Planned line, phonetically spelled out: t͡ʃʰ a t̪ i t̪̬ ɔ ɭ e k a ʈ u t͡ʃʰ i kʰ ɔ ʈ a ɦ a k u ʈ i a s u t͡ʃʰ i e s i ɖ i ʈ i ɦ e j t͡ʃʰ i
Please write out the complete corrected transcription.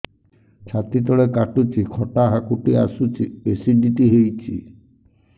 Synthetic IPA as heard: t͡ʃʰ a t̪ i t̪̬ ɔ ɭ e k a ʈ u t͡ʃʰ i kʰ ɔ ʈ a ɦ a k u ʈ i a s u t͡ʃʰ i e s i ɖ i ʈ i ɦ e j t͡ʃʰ i